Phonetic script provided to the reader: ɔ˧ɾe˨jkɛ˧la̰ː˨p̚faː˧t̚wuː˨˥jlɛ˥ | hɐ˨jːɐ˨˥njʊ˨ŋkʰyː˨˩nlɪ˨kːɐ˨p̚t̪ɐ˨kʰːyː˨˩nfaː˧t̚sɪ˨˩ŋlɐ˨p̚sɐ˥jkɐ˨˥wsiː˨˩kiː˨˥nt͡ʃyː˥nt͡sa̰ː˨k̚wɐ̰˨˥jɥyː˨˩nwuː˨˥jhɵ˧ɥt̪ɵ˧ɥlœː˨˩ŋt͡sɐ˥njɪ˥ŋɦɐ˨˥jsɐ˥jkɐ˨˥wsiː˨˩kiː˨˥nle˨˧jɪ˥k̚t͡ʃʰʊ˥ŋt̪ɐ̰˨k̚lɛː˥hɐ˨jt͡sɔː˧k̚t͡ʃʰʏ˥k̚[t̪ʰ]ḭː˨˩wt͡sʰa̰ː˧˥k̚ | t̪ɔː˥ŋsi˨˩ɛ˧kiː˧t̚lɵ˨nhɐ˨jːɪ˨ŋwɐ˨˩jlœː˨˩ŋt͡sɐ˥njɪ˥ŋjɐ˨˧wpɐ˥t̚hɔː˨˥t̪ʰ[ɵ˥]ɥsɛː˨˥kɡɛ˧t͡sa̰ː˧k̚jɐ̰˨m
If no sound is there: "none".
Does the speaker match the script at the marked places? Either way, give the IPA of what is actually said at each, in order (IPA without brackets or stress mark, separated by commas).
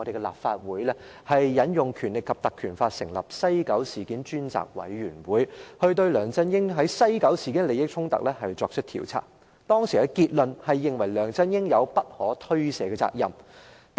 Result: t̪ʰ, ɵ˥